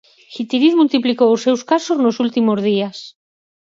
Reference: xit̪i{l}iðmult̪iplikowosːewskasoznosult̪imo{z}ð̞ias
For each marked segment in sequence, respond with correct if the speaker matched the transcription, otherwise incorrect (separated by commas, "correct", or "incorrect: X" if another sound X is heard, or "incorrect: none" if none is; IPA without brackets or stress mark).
incorrect: ɾ, correct